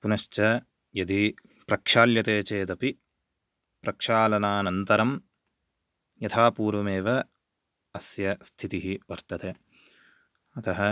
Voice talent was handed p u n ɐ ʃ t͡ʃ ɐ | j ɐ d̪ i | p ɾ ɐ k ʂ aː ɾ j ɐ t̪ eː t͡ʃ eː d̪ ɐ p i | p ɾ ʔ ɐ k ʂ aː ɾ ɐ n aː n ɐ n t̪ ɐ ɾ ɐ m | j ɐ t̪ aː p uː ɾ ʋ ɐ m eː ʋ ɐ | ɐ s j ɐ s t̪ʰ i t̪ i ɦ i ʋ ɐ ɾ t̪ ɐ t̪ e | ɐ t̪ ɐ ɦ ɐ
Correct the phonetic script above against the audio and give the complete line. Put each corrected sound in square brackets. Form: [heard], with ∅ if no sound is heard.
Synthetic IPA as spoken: p u n ɐ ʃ t͡ʃ ɐ | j ɐ d̪ i | p ɾ ɐ k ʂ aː [l] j ɐ t̪ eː t͡ʃ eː d̪ ɐ p i | p ɾ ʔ ɐ k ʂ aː [l] ɐ n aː n ɐ n t̪ ɐ ɾ ɐ m | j ɐ [t̪ʰ] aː p uː ɾ ʋ ɐ m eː ʋ ɐ | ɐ s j ɐ s t̪ʰ i t̪ i ɦ i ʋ ɐ ɾ t̪ ɐ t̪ e | ɐ t̪ ɐ ɦ ɐ